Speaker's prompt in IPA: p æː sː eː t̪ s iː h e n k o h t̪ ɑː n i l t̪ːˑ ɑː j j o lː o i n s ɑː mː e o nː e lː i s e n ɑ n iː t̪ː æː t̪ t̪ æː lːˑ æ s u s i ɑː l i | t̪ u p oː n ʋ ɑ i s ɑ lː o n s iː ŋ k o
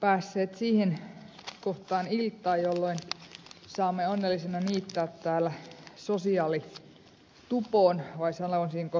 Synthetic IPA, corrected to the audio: p æː sː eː t̪ s iː h e n k o h t̪ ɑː n i l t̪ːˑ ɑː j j o lː o i n s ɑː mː e o nː e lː i s e n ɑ n iː t̪ː æː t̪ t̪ æː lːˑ æ s o s i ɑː l i | t̪ u p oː n ʋ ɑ i s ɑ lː o n s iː ŋ k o